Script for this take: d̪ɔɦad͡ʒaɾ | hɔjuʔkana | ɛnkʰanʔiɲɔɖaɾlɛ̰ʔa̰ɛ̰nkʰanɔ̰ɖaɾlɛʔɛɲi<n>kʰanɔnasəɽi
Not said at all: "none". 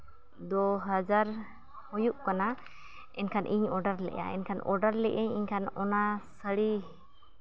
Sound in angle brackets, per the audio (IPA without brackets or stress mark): ɲ